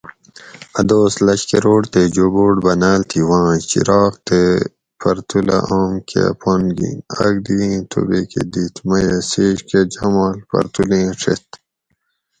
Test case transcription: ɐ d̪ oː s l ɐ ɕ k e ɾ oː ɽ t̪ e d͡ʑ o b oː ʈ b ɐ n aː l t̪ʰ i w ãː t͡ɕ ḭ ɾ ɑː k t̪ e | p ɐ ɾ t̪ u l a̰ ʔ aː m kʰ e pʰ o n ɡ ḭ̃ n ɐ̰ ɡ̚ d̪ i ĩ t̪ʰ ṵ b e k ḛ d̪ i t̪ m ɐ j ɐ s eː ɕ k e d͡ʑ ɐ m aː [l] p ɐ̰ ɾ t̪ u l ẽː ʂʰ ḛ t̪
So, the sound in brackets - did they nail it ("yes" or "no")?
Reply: yes